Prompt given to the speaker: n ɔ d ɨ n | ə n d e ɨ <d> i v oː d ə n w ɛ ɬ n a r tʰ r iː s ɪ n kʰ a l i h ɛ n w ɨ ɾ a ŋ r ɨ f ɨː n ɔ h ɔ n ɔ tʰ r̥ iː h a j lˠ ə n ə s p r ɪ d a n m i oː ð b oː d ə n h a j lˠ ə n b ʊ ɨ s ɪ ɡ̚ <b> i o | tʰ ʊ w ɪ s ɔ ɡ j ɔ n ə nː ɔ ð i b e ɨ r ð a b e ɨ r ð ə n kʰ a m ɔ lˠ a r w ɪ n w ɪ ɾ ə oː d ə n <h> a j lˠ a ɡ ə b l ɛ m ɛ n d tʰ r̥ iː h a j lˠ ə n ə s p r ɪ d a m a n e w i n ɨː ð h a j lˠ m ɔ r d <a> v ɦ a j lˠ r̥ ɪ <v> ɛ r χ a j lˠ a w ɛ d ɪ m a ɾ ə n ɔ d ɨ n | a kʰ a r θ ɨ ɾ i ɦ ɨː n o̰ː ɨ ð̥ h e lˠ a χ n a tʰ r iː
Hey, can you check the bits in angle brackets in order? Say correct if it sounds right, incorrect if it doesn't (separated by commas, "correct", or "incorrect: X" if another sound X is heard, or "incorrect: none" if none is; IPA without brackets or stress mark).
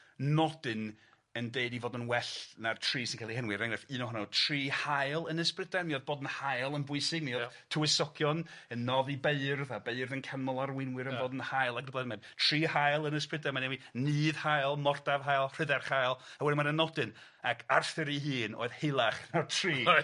correct, incorrect: m, correct, correct, incorrect: ð